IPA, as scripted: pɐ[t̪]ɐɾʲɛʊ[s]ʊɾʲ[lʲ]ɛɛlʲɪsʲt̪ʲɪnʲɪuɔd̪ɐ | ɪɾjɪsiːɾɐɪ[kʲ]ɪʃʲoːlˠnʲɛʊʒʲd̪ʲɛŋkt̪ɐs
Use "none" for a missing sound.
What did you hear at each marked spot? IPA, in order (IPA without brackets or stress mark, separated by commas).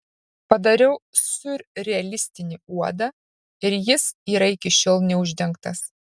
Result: d̪, s, ɾʲ, kʲ